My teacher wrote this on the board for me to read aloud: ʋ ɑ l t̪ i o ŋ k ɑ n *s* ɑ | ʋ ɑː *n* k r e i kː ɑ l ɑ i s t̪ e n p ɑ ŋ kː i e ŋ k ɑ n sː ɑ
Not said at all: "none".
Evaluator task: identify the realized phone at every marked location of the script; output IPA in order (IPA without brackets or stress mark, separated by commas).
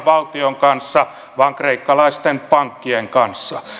sː, ŋ